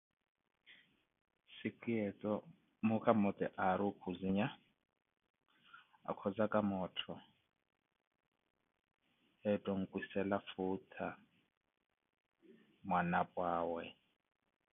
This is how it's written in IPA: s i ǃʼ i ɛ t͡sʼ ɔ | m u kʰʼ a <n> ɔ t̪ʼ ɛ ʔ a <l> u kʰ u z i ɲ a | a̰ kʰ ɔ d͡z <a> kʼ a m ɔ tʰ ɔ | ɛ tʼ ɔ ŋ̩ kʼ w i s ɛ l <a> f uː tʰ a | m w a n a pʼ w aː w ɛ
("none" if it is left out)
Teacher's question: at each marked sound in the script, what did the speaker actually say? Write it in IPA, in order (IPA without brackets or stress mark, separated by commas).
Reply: m, ɾ, a, a